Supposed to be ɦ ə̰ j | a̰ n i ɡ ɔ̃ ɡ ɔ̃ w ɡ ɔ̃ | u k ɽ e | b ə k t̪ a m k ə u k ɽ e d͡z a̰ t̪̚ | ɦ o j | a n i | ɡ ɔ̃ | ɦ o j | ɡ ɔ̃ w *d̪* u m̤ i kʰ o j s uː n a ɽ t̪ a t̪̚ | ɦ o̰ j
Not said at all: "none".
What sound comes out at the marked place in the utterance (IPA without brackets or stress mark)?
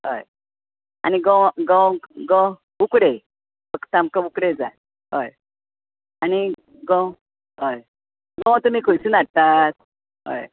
t̪